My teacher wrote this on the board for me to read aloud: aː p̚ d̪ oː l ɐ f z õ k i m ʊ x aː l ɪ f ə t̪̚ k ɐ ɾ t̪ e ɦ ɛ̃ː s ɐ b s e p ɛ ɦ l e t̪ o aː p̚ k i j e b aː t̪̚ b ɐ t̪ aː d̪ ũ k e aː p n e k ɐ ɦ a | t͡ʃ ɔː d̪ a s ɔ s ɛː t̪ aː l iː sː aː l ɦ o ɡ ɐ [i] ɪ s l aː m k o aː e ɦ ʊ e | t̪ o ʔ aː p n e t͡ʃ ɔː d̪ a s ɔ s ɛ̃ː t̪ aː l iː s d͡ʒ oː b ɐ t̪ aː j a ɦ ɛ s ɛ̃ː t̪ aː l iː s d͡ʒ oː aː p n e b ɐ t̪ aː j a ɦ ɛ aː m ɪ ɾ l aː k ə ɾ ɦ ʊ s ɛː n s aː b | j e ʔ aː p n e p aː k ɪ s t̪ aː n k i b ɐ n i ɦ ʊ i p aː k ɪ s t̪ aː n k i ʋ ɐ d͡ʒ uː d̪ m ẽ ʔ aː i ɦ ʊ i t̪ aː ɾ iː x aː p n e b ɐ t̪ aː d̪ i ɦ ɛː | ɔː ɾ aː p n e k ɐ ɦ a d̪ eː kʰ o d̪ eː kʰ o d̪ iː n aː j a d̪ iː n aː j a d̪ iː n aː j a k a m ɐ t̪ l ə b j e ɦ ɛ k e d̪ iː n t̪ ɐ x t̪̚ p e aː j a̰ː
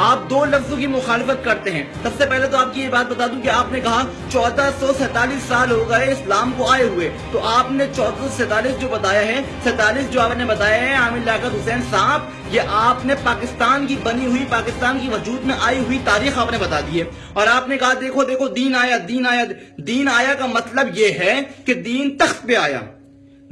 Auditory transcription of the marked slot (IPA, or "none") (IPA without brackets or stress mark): e